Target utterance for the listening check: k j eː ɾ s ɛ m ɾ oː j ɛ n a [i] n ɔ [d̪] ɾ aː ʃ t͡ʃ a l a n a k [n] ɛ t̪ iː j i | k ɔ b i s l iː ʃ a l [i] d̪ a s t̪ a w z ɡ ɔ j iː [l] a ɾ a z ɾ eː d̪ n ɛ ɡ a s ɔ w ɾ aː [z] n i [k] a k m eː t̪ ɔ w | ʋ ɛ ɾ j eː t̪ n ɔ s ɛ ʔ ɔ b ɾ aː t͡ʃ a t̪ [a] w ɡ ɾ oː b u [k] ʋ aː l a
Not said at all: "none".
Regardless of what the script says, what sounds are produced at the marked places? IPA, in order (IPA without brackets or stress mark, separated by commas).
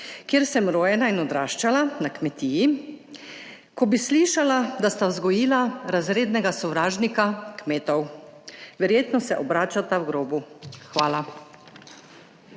i, d̪, m, a, l, ʒ, k, a, x